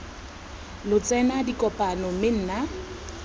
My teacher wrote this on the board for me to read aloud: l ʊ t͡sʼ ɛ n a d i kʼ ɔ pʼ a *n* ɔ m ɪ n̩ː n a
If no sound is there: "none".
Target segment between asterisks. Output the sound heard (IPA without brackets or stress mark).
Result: n